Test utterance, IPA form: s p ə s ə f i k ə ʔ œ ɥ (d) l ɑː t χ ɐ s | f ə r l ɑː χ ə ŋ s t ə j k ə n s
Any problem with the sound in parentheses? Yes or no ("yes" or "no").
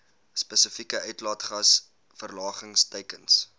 yes